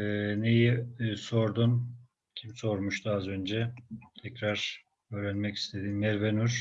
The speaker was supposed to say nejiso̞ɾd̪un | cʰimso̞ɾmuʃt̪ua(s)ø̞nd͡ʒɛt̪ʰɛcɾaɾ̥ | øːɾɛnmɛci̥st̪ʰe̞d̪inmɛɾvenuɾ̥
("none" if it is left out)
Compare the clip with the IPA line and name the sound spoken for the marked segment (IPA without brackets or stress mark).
z